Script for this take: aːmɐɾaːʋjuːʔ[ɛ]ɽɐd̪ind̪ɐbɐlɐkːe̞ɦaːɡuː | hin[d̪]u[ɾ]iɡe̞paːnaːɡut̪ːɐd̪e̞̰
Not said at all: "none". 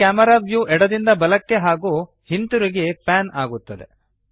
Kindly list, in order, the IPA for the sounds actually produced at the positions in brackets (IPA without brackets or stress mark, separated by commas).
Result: ɛ, t̪, ɾ